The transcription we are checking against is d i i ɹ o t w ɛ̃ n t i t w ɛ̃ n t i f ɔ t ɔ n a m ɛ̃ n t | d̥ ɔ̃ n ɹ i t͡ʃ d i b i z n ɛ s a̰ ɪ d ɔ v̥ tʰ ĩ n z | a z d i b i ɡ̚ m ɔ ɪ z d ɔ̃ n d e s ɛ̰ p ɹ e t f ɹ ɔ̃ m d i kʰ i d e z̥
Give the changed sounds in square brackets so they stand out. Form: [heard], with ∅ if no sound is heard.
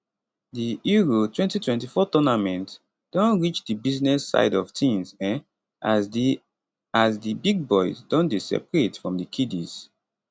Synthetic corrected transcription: d i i ɹ o t w ɛ̃ n t i t w ɛ̃ n t i f ɔ t ɔ n a m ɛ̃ n t | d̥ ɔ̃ n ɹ i t͡ʃ d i b i z n ɛ s a̰ ɪ d ɔ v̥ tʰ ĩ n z | a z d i b i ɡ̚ [b] ɔ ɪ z d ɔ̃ n d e s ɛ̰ p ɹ e t f ɹ ɔ̃ m d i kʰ i d [i] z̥